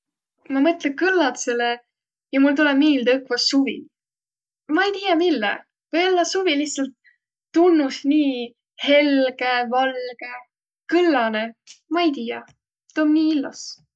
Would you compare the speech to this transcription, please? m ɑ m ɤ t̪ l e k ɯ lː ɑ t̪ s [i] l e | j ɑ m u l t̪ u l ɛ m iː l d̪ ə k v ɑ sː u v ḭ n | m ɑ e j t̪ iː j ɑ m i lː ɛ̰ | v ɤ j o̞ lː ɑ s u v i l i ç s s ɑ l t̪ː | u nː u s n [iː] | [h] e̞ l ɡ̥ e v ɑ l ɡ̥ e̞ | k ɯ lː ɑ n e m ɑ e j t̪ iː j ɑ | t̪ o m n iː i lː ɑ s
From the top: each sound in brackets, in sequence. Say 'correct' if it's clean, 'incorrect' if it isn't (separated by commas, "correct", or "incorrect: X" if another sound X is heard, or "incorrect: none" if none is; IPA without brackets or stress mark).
incorrect: e, correct, correct